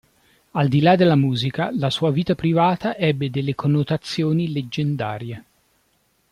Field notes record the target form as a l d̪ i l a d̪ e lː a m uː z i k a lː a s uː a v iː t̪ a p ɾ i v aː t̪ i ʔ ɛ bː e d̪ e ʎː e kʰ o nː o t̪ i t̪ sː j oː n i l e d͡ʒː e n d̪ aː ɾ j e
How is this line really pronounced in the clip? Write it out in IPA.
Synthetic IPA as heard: a l d̪ i l a d̪ e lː a m uː z i k a l a s uː a v iː t̪ a p ɾ i v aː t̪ a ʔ ɛ bː e d̪ e lː e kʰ o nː o t̪ a t̪ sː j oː n i l e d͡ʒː e n d̪ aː ɾ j e